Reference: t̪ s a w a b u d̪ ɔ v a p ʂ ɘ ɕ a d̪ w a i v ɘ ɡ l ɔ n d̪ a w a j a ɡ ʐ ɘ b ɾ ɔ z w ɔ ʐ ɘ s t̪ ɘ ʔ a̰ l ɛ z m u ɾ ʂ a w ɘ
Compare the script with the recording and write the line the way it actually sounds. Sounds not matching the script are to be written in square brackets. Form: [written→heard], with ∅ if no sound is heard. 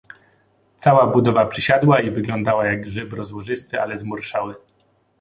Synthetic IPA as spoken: t̪ s a w a b u d̪ ɔ v a p ʂ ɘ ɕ a d̪ w a i v ɘ ɡ l ɔ n d̪ a w a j a ɡ ʐ ɘ b ɾ ɔ z w ɔ ʐ ɘ s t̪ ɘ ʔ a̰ l ɛ z m u ɾ ʂ a w ɘ

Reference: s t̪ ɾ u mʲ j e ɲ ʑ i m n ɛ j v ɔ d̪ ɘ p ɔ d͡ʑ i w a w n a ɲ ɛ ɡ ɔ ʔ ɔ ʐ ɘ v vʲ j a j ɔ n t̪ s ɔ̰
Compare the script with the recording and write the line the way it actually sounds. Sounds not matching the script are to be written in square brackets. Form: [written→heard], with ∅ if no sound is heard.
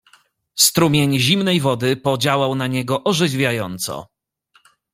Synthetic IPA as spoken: s t̪ ɾ u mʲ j e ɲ ʑ i m n ɛ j v ɔ d̪ ɘ p ɔ d͡ʑ [i→a] w a w n a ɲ ɛ ɡ ɔ ʔ ɔ ʐ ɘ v vʲ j a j ɔ n t̪ s ɔ̰

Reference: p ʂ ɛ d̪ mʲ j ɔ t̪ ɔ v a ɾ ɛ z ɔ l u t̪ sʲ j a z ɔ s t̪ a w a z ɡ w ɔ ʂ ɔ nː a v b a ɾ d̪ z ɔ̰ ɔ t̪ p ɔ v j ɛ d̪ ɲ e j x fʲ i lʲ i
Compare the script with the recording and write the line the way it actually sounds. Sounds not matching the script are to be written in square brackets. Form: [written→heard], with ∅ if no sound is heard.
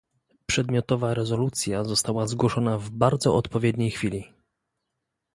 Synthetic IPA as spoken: p ʂ ɛ d̪ mʲ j ɔ t̪ ɔ v a ɾ ɛ z ɔ l u t̪ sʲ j a z ɔ s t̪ a w a z ɡ w ɔ ʂ ɔ [nː→n] a v b a ɾ d̪ z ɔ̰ ɔ t̪ p ɔ v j ɛ d̪ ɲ e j x fʲ i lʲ i

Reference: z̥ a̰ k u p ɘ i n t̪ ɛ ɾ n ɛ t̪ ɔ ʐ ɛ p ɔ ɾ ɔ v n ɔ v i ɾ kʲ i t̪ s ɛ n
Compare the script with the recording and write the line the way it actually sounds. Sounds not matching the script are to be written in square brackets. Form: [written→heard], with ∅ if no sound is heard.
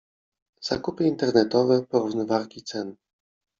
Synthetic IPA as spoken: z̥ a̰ k u p ɘ i n t̪ ɛ ɾ n ɛ t̪ ɔ [ʐ→v] ɛ p ɔ ɾ [ɔ→u] v n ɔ v [i→a] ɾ kʲ i t̪ s ɛ n

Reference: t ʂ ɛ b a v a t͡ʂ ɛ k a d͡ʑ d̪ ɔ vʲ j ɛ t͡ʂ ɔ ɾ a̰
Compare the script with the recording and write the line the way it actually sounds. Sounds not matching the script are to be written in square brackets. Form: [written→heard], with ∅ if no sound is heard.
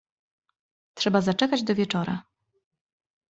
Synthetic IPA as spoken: t ʂ ɛ b a [v→z] a t͡ʂ ɛ k a d͡ʑ d̪ ɔ vʲ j ɛ t͡ʂ ɔ ɾ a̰

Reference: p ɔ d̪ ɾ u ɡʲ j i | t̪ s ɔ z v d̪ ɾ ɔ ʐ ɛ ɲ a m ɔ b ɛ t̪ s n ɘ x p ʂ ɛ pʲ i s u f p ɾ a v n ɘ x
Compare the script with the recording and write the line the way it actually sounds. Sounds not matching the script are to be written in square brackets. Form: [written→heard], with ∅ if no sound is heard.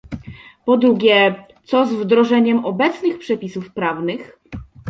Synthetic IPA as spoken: p ɔ d̪ ɾ u ɡʲ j [i→ɛ] | t̪ s ɔ z v d̪ ɾ ɔ ʐ ɛ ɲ [a→ɛ] m ɔ b ɛ t̪ s n ɘ x p ʂ ɛ pʲ i s u f p ɾ a v n ɘ x

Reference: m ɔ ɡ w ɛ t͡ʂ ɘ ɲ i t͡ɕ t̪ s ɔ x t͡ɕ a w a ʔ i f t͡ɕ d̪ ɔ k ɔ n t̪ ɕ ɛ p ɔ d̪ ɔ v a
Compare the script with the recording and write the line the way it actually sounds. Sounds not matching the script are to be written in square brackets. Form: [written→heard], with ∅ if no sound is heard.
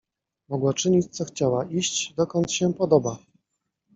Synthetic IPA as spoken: m ɔ ɡ w [ɛ→a] t͡ʂ ɘ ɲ i t͡ɕ t̪ s ɔ x t͡ɕ a w a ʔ i [f→ɕ] t͡ɕ d̪ ɔ k ɔ n t̪ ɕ ɛ p ɔ d̪ ɔ [v→b] a

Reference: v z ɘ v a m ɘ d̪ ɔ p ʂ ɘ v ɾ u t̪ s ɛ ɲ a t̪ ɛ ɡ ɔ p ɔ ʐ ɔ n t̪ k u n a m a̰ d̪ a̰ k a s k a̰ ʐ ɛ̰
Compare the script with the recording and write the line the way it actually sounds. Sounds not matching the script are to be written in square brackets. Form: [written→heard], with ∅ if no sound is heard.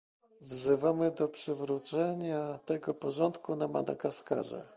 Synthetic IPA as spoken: v z ɘ v a m ɘ d̪ ɔ p ʂ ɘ v ɾ u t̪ s ɛ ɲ a t̪ ɛ ɡ ɔ p ɔ ʐ ɔ n t̪ k u n a m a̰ d̪ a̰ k a s k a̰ ʐ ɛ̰

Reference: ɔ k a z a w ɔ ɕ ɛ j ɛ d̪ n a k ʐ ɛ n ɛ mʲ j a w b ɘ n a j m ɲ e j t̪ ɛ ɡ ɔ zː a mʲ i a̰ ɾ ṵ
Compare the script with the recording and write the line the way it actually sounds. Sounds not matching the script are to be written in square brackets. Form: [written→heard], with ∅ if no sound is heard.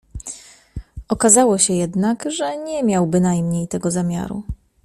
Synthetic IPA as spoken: ɔ k a z a w ɔ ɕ ɛ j ɛ d̪ n a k ʐ ɛ [n→ɲ] ɛ mʲ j a w b ɘ n a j m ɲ e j t̪ ɛ ɡ ɔ [zː→z] a mʲ [i→j] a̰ ɾ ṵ

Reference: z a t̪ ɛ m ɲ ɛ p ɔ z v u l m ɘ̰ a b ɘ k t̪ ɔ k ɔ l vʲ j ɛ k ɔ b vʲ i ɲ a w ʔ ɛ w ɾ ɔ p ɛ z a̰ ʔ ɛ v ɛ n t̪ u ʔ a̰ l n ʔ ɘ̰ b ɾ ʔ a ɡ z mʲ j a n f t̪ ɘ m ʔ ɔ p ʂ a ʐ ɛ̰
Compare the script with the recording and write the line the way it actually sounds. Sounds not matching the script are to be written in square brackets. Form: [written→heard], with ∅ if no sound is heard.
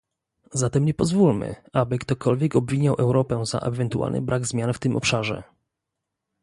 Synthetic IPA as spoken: z a t̪ ɛ m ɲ ɛ p ɔ z v u l m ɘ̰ a b ɘ k t̪ ɔ k ɔ l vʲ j ɛ k ɔ b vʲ i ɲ a w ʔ ɛ w ɾ ɔ p ɛ z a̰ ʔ ɛ v ɛ n t̪ u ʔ a̰ l n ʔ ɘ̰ b ɾ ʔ a ɡ z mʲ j a n f t̪ ɘ m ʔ ɔ p ʂ a ʐ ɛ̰

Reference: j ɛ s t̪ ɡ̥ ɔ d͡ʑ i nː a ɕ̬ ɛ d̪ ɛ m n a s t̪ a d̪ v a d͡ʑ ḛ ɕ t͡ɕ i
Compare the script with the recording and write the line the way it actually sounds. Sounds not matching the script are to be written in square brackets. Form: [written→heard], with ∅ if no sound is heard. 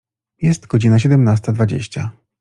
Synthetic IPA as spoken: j ɛ s t̪ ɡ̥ ɔ d͡ʑ i [nː→n] a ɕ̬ ɛ d̪ ɛ m n a s t̪ a d̪ v a d͡ʑ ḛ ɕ t͡ɕ [i→a]

